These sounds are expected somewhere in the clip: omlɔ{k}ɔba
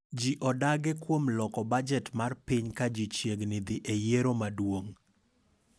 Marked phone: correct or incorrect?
correct